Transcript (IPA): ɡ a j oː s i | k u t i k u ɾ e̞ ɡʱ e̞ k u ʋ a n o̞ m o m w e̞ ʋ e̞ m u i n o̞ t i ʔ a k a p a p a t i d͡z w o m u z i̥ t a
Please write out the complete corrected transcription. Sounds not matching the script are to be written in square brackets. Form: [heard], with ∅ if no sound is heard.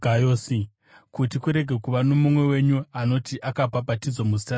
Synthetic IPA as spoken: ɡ a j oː s i | k u t i k u ɾ e̞ ɡʱ e̞ k u ʋ a n o̞ m [u] m w e̞ [w] e̞ [ɲ] u [a] n o̞ t i ʔ a k a p a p a t i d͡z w o m u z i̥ t a